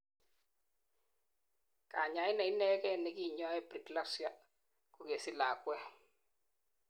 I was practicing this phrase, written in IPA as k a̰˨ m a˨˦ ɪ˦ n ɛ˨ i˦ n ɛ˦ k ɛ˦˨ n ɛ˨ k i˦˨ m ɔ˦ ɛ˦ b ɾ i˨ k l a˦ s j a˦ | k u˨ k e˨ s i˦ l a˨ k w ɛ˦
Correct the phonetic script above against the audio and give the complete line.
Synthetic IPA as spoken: k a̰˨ ɲ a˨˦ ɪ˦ n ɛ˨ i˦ n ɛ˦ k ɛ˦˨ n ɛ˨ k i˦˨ ɲ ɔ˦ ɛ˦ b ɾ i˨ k l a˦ s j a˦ | k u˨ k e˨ s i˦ l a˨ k w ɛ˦